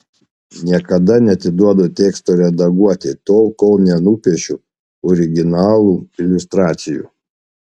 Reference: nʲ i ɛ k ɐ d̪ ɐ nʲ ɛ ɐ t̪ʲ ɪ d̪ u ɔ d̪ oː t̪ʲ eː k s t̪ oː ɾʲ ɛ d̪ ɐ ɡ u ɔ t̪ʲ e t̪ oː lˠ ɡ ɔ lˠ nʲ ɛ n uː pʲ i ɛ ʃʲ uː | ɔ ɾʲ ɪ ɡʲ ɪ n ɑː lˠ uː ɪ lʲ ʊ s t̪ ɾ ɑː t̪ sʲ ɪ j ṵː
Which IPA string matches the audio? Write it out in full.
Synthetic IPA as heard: nʲ i ɛ k ɐ d̪ ɐ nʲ ɛ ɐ t̪ʲ ɪ d̪ u ɔ d̪ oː t̪ʲ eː k s t̪ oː ɾʲ ɛ d̪ ɐ ɡ u ɔ t̪ʲ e t̪ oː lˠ k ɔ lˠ nʲ ɛ n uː pʲ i ɛ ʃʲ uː | ɔ ɾʲ ɪ ɡʲ ɪ n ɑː lˠ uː ɪ lʲ ʊ s t̪ ɾ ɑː t̪ sʲ ɪ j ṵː